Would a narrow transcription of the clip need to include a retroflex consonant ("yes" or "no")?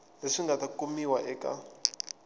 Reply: yes